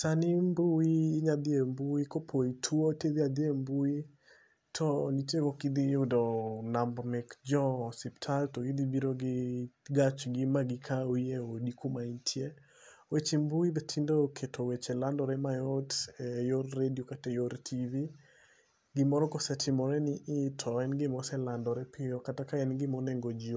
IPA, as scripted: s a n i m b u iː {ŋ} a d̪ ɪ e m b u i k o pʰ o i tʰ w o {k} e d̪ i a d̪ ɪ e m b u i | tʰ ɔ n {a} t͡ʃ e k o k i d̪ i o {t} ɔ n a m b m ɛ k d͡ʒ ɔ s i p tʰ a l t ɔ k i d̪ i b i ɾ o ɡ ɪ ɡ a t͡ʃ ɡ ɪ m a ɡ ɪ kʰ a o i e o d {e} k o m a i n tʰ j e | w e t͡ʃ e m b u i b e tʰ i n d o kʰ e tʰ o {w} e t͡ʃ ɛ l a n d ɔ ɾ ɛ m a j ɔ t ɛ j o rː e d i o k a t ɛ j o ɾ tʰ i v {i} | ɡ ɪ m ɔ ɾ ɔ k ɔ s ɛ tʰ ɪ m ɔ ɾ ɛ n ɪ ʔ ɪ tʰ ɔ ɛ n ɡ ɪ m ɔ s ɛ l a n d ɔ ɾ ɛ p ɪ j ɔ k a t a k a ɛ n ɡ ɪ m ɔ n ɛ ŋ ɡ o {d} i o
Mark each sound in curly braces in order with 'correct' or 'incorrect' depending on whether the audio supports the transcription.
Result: incorrect, incorrect, incorrect, incorrect, incorrect, correct, correct, incorrect

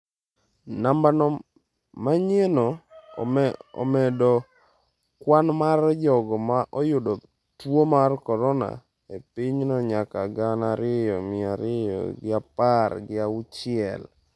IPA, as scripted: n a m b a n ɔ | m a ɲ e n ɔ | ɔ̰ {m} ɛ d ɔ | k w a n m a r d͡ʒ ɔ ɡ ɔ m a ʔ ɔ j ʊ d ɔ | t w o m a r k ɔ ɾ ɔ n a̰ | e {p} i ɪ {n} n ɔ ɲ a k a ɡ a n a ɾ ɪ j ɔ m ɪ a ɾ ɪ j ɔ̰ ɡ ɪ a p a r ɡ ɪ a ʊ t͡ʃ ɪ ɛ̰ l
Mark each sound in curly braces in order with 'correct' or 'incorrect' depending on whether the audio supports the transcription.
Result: correct, correct, incorrect

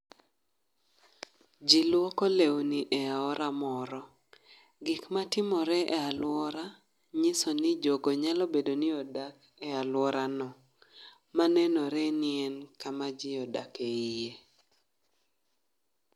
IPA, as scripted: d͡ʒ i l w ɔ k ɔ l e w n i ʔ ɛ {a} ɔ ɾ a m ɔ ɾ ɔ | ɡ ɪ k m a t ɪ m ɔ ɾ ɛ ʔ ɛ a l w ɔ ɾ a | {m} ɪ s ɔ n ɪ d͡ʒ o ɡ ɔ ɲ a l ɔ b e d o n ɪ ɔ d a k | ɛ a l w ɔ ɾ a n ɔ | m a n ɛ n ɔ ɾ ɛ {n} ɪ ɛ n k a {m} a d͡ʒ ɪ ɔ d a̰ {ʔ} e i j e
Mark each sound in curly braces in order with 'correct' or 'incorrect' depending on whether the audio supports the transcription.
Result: correct, incorrect, correct, correct, incorrect

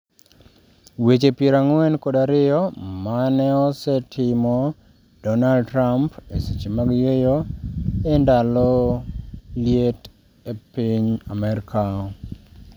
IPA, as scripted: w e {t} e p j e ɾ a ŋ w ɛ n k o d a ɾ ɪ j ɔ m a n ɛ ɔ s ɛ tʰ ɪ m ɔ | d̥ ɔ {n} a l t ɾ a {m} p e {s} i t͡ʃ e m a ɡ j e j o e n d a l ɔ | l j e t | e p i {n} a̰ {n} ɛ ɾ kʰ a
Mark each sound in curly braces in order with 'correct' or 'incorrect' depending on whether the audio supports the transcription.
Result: incorrect, correct, correct, correct, incorrect, incorrect

